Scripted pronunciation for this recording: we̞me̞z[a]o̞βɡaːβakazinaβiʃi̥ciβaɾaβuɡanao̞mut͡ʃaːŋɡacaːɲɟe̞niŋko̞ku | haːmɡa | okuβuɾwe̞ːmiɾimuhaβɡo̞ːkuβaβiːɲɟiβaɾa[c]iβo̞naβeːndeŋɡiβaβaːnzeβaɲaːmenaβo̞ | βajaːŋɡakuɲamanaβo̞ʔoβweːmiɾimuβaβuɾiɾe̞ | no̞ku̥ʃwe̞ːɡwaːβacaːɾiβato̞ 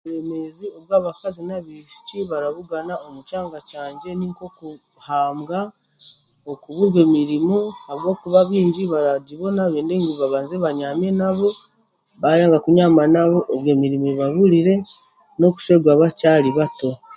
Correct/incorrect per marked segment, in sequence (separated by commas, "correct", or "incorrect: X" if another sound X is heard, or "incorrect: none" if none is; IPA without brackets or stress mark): incorrect: i, incorrect: ɟ